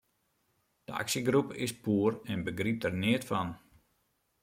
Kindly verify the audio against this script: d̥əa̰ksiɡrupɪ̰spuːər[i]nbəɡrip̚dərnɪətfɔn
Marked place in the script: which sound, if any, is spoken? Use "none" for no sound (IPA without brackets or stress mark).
ɛ